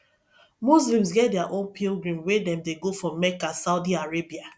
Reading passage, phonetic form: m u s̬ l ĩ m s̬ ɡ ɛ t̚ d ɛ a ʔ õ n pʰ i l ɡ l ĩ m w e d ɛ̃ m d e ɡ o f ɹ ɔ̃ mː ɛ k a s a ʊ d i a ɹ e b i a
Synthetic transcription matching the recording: m u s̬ l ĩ m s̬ ɡ ɛ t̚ d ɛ a ʔ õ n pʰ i l ɡ ɹ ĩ m w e d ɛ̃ m d e ɡ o f ɹ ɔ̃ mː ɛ k a s a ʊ d i a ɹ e b i a